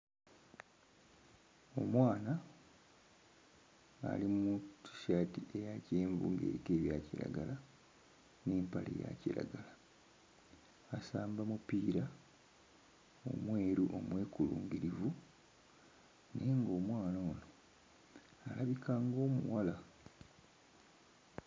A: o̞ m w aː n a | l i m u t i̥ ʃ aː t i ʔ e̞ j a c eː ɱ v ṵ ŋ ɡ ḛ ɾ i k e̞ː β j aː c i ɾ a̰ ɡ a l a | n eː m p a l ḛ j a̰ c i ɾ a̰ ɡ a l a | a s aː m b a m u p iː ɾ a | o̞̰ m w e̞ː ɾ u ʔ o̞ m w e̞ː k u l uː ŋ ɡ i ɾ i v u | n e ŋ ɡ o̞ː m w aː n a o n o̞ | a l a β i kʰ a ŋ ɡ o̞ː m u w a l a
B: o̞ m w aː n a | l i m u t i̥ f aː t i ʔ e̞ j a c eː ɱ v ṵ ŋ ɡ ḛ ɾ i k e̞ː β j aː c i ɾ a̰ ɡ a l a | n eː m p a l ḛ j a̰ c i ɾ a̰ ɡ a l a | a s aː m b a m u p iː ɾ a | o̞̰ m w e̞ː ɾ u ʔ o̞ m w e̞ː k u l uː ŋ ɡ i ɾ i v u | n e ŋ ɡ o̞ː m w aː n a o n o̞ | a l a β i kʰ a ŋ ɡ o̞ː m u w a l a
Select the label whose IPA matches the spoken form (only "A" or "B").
A